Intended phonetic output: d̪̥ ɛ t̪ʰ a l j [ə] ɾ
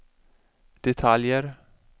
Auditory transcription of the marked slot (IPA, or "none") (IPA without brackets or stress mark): ə